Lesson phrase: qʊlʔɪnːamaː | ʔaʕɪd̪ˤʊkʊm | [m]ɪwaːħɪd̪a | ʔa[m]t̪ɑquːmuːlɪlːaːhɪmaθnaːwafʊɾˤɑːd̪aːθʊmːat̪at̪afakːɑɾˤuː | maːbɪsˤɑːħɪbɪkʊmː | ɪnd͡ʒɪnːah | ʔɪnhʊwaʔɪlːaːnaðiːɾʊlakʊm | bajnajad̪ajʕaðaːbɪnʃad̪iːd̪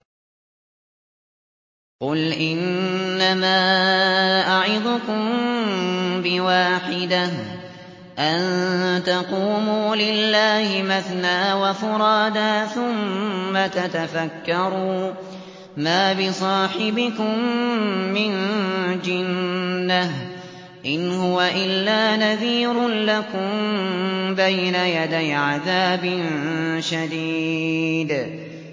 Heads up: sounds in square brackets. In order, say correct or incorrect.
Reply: incorrect, incorrect

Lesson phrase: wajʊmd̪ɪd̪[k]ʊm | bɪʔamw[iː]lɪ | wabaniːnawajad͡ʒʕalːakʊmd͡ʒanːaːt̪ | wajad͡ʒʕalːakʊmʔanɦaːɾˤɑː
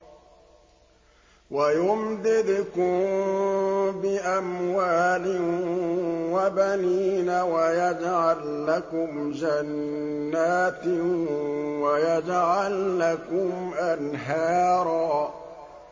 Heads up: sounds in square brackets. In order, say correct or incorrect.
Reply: correct, incorrect

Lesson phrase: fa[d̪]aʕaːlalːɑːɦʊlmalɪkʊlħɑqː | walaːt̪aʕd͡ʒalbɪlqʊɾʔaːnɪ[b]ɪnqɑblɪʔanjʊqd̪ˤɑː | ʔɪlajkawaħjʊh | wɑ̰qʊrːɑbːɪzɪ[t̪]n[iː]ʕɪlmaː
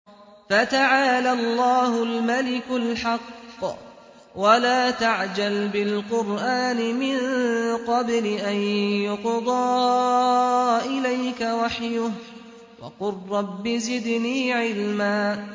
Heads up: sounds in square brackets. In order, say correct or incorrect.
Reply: incorrect, incorrect, incorrect, correct

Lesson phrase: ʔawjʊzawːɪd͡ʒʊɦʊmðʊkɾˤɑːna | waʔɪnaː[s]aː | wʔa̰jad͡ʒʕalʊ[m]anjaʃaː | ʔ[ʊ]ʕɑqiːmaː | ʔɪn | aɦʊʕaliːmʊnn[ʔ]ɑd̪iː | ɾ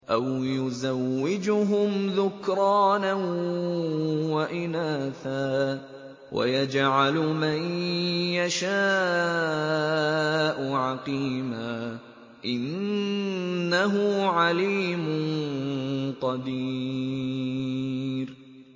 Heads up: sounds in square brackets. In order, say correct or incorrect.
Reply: incorrect, correct, correct, incorrect

